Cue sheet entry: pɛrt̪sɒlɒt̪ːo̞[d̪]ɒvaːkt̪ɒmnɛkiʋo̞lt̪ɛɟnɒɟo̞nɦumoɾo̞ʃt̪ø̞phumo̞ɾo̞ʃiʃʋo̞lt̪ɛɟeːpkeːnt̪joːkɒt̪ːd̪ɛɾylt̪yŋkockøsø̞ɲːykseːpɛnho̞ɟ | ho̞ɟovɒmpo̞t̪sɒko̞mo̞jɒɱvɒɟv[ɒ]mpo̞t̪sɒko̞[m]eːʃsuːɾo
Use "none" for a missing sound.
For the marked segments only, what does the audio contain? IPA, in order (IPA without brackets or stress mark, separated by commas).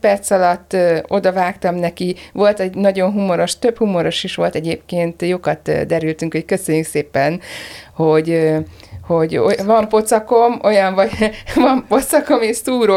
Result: d̪, ɒ, m